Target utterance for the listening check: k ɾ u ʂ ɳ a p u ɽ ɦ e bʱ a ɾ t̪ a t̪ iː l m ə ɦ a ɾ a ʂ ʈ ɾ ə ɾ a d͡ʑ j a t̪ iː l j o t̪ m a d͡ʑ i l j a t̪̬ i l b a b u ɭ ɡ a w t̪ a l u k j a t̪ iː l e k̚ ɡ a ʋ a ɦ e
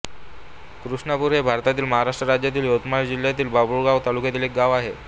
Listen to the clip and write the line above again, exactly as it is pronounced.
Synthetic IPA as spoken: k ɾ u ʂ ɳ a p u ɾ ɦ e bʱ a ɾ t̪ a t̪ iː l m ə ɦ a ɾ a ʂ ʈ ɾ ə ɾ a d͡ʑ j a t̪ iː l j o t̪ m a d͡ʑ i l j a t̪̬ iː l b a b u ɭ ɡ a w t̪ a l u k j a t̪ iː l e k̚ ɡ a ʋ a ɦ e